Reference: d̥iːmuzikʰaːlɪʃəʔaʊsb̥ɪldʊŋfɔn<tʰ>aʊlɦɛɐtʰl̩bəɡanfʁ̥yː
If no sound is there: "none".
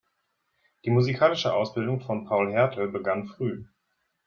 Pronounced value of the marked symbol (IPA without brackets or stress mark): pʰ